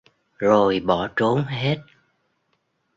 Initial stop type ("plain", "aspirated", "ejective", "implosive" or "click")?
implosive